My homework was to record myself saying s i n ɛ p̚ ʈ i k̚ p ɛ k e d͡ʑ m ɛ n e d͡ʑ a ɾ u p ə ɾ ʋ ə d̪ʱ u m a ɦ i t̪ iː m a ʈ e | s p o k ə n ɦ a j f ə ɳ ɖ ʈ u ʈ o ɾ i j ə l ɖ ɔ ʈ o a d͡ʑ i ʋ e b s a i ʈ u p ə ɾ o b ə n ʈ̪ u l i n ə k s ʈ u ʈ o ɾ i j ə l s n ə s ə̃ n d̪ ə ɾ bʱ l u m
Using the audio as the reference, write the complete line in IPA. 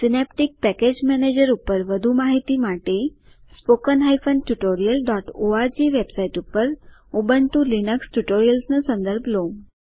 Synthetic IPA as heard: s i n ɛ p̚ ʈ i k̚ p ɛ k e d͡ʑ m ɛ n e d͡ʑ ə ɾ u p ə ɾ ʋ ə d̪ʱ u m a ɦ i t̪ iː m a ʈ e | s p o k ə n ɦ a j f ə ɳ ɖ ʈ u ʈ o ɾ i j ə l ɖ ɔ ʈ o a d͡ʑ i ʋ e b s a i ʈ u p ə ɾ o b ə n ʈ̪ u l i n ə k s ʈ u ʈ o ɾ i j ə l s n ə s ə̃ n d̪ ə ɾ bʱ l o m